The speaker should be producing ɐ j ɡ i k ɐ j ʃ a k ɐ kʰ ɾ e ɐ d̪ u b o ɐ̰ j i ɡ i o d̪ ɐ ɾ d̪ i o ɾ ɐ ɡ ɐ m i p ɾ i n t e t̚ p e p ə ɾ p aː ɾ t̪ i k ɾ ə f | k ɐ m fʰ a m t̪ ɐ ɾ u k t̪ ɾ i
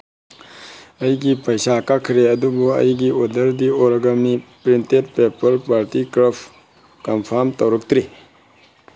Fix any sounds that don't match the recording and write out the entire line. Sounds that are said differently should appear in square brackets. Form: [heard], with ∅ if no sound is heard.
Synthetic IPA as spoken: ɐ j ɡ i [p] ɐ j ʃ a k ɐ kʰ ɾ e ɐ d̪ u b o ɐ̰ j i ɡ i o d̪ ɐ ɾ d̪ i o ɾ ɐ ɡ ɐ m i p ɾ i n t e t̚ p e p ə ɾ p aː ɾ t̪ i k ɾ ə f | k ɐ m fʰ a m t̪ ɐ ɾ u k t̪ ɾ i